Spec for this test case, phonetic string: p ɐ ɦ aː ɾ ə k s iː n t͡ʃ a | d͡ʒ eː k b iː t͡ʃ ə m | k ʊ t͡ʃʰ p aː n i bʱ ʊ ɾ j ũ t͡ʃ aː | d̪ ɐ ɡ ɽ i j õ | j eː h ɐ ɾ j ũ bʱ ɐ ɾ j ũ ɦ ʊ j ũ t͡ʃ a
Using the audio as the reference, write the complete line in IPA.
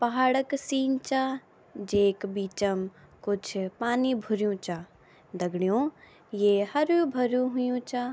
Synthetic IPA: p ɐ ɦ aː ɽ ə k s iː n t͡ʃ a | d͡ʒ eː k b iː t͡ʃ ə m | k ʊ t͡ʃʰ p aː n i bʱ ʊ ɾ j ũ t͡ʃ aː | d̪ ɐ ɡ ɽ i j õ | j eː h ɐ ɾ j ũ bʱ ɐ ɾ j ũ ɦ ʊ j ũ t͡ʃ a